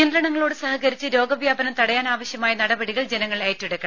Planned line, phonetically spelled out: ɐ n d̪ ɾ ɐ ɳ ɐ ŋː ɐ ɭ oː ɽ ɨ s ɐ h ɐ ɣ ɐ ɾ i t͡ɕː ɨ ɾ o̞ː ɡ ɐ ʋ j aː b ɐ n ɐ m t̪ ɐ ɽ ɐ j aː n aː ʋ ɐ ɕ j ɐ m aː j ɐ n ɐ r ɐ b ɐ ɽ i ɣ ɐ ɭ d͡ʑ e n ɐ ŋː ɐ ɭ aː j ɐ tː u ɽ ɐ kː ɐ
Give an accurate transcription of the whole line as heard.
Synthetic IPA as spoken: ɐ n d̪ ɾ ɐ ɳ ɐ ŋː ɐ ɭ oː ɽ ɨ s ɐ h ɐ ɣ ɐ ɾ i t͡ɕː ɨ ɾ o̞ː ɡ ɐ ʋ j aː b ɐ n ɐ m t̪ ɐ ɽ ɐ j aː n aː ʋ ɐ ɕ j ɐ m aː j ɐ n ɐ ɽ ɐ b ɐ ɽ i ɣ ɐ ɭ d͡ʑ e n ɐ ŋː ɐ ɭ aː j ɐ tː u ɽ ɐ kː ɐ